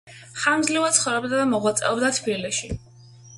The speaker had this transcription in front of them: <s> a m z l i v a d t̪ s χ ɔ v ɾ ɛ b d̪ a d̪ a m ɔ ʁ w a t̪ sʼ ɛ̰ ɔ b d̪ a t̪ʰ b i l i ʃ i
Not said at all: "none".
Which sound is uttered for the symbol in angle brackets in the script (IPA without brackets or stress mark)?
χ